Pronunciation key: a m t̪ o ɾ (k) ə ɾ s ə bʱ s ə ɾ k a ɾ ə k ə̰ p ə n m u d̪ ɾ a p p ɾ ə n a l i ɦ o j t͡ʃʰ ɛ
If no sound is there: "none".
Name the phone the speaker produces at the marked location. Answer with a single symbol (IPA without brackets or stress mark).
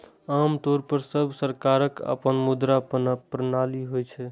p